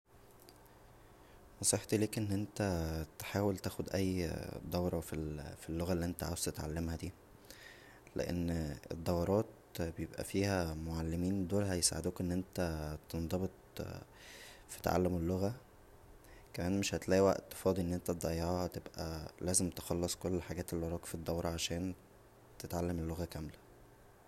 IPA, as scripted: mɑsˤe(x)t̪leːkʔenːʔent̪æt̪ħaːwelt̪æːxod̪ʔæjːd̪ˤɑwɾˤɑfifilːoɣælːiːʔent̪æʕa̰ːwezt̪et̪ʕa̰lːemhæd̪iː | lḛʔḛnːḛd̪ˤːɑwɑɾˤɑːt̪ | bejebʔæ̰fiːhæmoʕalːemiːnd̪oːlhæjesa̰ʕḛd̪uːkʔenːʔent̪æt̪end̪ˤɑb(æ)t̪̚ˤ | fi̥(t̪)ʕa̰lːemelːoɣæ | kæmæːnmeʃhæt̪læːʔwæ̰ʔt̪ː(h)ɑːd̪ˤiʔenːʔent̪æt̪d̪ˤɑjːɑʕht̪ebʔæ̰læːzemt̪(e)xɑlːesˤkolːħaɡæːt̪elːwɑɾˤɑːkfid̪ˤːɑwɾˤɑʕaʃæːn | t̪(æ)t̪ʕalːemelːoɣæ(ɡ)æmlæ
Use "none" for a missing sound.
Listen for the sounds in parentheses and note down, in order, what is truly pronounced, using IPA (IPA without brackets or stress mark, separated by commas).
ħ, e, t̪, f, e, e, k